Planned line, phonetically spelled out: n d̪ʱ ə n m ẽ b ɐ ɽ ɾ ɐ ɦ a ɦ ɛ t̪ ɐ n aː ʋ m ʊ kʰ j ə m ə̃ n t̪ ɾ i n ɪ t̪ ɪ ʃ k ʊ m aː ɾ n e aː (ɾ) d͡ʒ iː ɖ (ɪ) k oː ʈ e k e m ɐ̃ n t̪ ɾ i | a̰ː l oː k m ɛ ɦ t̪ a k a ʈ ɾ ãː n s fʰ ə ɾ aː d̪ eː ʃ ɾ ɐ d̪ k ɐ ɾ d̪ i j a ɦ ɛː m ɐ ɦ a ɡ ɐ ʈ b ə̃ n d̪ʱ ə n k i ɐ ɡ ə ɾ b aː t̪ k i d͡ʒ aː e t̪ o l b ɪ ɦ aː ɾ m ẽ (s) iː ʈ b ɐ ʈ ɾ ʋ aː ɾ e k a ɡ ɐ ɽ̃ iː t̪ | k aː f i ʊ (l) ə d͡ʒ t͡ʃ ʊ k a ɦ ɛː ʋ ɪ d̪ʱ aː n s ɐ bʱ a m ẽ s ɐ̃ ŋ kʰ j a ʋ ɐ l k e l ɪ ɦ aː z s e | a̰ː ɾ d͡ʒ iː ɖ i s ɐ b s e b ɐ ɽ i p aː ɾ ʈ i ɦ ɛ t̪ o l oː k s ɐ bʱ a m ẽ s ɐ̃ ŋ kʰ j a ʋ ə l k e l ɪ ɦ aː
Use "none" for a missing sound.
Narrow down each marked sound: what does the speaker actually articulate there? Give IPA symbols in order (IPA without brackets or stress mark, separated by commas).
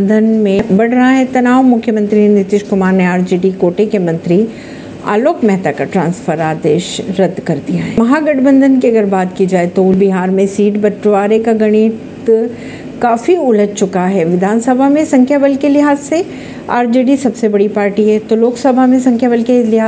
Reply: ɾ, i, s, l